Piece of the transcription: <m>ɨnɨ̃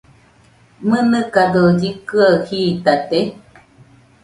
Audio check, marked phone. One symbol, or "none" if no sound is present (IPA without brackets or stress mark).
m